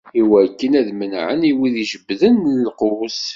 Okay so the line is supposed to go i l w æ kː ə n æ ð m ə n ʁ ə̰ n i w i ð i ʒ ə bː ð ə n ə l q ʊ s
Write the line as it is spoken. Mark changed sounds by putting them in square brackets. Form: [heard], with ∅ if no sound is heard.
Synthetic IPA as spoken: i [∅] w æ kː ə n æ ð m ə n [ʕ] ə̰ n i w i ð i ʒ ə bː ð ə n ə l q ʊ s